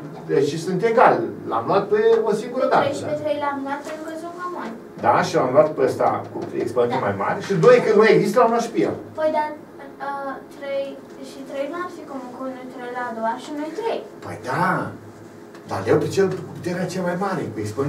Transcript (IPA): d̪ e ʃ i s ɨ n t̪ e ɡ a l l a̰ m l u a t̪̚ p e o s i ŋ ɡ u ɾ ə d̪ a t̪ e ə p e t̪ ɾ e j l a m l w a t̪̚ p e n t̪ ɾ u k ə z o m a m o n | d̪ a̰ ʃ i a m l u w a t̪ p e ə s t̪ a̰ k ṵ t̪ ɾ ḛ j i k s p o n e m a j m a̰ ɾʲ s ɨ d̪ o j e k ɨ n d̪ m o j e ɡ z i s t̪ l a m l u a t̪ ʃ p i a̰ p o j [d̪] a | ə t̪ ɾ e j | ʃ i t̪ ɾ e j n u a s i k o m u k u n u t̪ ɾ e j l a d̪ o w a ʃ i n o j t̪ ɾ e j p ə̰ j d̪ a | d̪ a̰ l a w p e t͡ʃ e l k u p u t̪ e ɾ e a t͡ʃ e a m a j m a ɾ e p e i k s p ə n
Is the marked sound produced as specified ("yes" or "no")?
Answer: yes